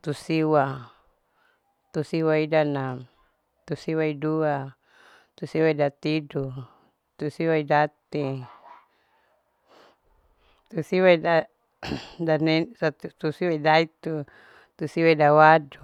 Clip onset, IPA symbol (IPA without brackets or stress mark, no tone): t̪